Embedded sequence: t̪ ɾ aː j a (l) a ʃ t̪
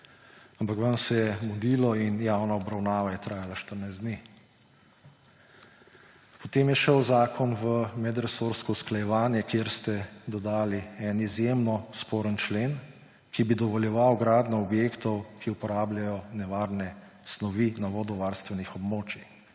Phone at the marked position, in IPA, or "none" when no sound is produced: l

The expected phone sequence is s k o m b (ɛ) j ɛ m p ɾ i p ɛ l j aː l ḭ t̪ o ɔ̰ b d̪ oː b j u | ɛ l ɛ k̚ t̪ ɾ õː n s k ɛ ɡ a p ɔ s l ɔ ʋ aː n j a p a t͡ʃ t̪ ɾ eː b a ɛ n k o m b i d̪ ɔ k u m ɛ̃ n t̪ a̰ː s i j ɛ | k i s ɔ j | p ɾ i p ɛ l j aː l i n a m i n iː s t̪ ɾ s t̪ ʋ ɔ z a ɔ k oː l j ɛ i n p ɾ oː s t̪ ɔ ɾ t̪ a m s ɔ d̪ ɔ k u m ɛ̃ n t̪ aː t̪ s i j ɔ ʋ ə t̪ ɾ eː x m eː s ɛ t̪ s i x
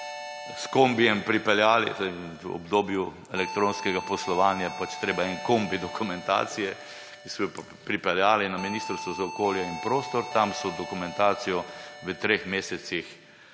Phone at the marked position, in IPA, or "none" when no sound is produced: i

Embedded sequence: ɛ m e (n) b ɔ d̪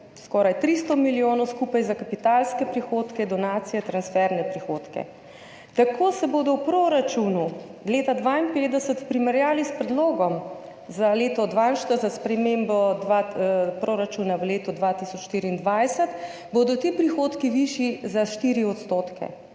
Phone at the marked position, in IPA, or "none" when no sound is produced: m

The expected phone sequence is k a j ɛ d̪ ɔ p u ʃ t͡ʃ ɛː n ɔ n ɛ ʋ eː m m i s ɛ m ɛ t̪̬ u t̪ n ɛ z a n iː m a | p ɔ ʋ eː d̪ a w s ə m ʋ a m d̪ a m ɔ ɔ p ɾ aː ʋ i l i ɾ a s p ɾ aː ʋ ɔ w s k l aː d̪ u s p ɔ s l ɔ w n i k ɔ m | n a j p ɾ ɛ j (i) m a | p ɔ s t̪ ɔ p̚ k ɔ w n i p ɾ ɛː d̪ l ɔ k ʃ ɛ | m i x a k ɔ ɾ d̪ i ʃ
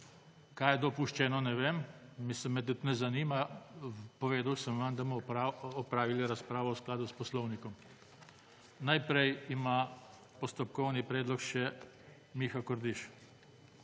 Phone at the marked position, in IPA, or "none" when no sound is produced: i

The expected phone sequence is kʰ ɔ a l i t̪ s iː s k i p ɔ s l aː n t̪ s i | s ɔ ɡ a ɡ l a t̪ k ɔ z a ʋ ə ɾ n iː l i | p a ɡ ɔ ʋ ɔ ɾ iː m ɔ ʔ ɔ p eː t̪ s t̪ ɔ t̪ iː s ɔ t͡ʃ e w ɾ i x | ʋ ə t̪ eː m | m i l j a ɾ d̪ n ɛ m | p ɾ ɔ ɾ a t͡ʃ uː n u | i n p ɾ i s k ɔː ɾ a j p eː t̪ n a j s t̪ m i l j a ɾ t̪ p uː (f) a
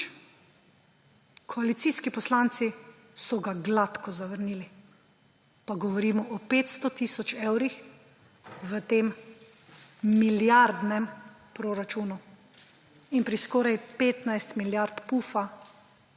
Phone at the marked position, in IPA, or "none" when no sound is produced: f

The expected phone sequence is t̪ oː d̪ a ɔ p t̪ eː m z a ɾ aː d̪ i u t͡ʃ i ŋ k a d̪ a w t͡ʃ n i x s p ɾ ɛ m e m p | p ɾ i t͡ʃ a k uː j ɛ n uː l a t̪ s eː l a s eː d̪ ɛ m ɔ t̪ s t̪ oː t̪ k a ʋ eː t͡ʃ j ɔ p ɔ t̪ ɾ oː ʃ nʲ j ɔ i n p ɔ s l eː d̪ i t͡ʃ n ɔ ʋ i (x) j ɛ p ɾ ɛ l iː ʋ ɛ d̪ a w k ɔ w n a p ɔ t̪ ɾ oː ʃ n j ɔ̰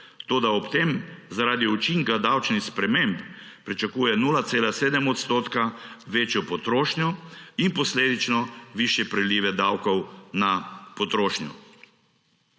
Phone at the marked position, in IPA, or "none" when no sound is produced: ʃ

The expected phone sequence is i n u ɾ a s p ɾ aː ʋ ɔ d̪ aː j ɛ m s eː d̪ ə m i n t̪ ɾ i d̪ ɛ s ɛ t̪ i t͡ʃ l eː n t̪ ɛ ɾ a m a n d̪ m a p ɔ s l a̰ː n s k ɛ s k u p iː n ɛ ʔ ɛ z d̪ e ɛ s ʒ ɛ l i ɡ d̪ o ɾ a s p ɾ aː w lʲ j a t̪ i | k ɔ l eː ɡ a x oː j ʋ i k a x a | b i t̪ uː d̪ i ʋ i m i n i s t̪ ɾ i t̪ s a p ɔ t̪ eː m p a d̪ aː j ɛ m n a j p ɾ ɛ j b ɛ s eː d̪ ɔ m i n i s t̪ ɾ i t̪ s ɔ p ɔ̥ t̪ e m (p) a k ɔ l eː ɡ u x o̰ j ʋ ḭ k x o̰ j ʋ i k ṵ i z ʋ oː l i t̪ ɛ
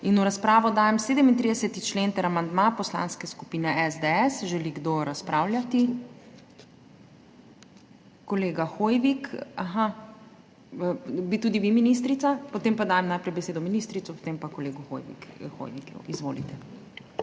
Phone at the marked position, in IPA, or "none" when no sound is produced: p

